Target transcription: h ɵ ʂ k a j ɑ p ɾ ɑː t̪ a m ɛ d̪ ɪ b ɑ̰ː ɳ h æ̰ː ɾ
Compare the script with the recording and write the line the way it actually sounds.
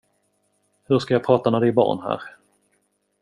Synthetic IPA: h ɵ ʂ k a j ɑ pʰ ɾ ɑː t̪ a m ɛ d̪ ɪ b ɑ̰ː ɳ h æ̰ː ɾ